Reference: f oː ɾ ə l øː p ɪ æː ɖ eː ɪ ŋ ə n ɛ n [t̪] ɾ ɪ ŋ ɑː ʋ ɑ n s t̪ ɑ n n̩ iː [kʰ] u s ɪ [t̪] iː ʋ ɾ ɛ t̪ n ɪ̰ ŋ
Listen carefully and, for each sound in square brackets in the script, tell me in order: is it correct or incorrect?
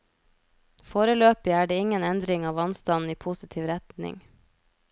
incorrect: d̪, incorrect: pʰ, incorrect: t̪ʰ

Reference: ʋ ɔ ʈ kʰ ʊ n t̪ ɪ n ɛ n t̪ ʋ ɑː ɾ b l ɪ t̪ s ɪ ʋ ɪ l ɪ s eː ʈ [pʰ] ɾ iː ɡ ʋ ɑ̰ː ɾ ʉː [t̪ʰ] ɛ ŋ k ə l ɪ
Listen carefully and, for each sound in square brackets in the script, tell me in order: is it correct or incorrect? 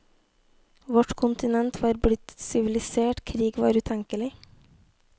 incorrect: kʰ, correct

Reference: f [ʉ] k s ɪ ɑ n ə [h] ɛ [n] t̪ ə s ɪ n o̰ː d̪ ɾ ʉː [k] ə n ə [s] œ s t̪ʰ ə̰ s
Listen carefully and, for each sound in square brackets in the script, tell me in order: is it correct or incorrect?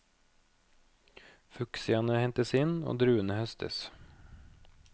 correct, correct, correct, incorrect: none, incorrect: h

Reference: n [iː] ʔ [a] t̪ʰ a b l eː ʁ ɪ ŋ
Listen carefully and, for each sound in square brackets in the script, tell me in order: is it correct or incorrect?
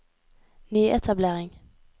incorrect: yː, incorrect: ɛ

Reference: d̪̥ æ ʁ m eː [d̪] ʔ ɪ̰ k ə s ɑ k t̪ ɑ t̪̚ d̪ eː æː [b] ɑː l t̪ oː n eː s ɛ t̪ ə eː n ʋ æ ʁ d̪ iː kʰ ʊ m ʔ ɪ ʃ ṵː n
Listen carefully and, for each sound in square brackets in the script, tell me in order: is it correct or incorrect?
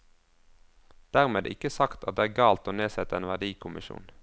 correct, incorrect: ɡ

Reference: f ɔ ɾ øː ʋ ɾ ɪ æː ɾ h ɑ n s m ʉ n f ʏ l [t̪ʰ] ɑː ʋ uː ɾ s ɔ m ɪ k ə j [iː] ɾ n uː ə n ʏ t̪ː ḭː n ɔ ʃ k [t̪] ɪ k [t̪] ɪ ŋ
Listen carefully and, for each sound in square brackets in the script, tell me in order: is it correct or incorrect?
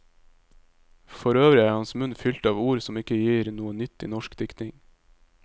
incorrect: t̪, correct, incorrect: d̪, correct

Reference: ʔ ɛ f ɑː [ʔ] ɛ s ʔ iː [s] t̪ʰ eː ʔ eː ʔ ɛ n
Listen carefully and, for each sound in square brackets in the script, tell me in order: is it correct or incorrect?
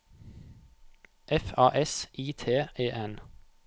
correct, incorrect: none

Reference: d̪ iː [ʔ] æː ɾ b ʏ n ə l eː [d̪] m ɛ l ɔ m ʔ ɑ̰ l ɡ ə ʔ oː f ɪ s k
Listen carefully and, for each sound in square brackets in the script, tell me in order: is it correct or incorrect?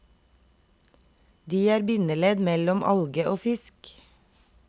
incorrect: none, correct

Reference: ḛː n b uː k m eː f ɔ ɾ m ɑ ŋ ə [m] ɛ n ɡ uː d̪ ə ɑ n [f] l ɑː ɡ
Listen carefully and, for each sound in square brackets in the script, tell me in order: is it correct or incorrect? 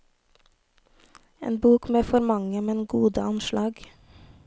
correct, incorrect: ʃ

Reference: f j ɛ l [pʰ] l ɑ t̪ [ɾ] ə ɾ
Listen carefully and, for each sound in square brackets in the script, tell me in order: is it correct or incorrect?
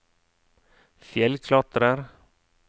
incorrect: kʰ, correct

